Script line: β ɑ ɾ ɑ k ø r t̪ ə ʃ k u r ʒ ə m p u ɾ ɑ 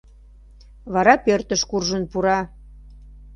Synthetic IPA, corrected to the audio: β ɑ ɾ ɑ p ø r t̪ ə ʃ k u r ʒ ə n p u ɾ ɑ